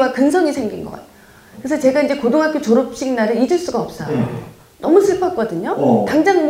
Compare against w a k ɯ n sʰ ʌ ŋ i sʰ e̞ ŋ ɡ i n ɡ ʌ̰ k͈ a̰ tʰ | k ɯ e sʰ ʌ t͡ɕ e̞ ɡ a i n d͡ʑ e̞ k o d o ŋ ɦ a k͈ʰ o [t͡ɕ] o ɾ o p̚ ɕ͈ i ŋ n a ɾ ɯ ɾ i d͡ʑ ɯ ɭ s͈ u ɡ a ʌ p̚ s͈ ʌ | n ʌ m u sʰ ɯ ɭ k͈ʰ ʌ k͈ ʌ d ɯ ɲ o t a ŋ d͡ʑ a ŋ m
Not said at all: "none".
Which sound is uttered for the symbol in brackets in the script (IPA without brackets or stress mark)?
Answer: t͡ɕ